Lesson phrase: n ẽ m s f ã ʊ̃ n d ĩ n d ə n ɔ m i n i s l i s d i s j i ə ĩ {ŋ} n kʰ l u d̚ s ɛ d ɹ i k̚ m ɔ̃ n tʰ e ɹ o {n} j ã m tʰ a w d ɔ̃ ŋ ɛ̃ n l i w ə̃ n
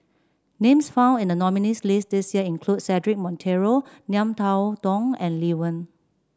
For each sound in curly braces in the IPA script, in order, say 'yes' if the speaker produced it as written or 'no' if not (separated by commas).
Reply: no, yes